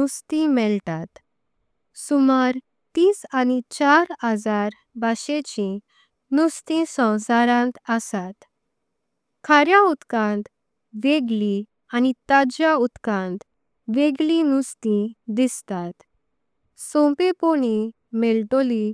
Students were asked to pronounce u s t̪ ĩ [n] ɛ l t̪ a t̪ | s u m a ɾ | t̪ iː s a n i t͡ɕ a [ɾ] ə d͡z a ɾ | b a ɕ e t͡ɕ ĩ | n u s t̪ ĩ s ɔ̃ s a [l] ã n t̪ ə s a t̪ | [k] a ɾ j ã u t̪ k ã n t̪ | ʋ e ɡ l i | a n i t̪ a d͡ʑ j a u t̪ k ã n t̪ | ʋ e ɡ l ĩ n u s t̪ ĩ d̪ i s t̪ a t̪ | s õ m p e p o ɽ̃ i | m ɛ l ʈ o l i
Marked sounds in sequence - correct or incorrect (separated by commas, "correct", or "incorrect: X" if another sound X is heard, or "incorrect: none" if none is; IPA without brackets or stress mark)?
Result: incorrect: m, correct, incorrect: ɾ, incorrect: kʰ